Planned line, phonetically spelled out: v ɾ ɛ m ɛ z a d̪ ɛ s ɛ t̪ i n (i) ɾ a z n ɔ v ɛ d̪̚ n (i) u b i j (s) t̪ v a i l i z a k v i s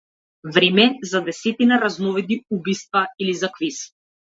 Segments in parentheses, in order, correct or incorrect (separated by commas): incorrect, correct, correct